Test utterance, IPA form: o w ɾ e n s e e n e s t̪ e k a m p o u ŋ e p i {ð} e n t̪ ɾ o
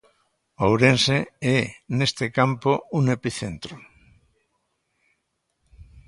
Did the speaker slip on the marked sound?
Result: yes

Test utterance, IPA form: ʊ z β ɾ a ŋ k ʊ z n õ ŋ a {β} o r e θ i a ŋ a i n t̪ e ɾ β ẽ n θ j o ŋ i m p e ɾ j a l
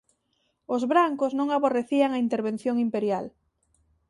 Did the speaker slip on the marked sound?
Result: no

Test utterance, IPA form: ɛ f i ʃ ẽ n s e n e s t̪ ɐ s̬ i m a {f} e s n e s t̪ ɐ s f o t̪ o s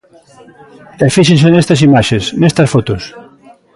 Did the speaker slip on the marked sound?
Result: yes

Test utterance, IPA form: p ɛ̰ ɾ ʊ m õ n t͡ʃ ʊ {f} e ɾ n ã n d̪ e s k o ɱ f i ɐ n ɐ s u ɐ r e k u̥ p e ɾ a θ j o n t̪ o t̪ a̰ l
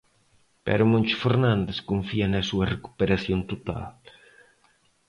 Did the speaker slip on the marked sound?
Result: no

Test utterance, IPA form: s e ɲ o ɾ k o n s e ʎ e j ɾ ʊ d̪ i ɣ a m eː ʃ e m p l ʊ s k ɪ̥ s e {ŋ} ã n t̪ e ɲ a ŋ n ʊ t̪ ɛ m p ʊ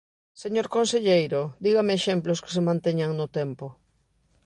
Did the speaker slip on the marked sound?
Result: yes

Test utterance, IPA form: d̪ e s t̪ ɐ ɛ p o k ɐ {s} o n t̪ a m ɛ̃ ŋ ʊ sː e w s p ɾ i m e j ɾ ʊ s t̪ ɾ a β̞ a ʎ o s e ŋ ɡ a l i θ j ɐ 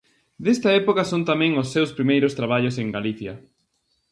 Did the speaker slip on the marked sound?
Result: no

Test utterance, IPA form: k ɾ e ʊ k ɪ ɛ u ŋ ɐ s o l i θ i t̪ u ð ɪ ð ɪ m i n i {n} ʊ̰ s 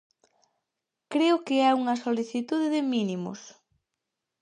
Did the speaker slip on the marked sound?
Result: yes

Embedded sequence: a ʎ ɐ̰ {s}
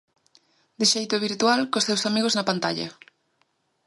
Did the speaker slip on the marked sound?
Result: yes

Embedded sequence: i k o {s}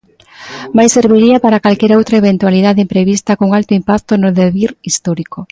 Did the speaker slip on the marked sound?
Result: yes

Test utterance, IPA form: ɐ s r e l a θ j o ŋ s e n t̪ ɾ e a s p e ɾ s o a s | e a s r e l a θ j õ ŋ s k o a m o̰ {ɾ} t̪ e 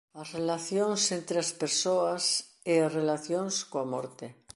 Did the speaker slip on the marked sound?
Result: no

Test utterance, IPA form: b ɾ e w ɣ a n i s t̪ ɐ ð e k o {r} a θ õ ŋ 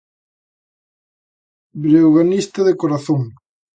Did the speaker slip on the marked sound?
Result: yes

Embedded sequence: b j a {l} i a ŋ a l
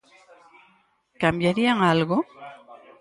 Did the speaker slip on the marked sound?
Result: yes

